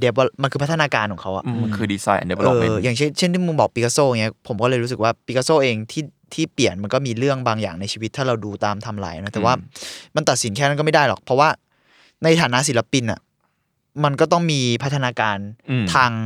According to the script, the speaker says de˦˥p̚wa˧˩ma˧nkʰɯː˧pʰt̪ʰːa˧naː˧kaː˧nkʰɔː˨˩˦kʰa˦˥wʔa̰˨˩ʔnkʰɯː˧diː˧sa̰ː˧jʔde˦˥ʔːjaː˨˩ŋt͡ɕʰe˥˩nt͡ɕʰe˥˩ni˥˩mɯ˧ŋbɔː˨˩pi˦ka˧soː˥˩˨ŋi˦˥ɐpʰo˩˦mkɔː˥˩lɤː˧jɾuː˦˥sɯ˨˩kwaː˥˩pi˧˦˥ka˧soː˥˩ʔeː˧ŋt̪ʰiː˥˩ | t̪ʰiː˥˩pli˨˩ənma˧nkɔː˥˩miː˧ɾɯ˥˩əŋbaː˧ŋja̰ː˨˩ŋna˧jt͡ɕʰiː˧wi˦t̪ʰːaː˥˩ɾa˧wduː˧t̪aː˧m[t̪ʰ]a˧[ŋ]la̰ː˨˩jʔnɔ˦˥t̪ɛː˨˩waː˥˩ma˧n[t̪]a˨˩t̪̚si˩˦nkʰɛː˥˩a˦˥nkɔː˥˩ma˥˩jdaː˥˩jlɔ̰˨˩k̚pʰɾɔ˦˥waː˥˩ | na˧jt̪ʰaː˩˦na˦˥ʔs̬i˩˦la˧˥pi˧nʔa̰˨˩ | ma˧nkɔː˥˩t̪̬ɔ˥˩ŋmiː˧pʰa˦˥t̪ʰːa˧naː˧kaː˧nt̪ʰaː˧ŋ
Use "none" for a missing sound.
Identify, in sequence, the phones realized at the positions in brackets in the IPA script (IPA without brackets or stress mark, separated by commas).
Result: t̪ʰ, m, t̪